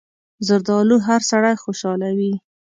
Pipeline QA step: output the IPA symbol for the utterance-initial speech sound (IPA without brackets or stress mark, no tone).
z